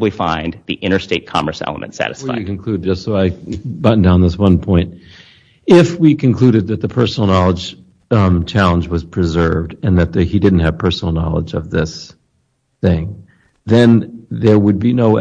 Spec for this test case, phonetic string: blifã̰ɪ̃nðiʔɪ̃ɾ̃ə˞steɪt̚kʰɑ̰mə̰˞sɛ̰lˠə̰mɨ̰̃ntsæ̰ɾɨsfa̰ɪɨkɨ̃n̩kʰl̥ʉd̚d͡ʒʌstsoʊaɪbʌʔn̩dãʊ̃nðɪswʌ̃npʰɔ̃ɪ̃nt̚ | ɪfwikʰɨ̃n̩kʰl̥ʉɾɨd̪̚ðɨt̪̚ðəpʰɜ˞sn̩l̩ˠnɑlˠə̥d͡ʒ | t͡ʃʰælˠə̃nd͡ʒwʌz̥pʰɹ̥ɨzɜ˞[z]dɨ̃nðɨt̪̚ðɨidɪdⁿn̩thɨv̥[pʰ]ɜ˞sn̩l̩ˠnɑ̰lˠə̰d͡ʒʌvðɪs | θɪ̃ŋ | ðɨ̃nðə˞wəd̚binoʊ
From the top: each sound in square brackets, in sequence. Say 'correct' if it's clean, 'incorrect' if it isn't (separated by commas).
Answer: incorrect, correct